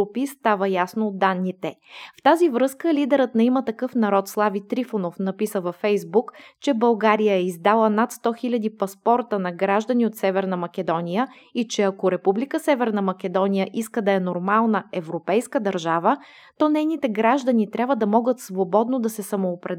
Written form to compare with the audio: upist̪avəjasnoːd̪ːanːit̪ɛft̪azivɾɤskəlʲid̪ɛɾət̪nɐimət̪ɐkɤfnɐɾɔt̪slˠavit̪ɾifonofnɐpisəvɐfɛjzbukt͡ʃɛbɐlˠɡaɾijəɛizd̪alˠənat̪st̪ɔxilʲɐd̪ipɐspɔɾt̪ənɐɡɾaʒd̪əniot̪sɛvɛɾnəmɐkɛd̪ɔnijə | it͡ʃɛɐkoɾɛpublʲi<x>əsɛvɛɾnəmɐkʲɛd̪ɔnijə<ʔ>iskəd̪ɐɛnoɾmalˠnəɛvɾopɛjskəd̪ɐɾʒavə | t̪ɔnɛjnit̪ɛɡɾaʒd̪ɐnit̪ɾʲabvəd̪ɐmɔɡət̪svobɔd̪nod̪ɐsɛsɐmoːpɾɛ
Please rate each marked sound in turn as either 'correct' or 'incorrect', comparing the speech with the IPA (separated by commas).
incorrect, correct